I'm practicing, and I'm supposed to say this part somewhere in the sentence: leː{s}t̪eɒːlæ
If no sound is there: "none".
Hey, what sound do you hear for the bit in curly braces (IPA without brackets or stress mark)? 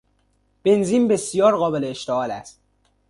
ʃ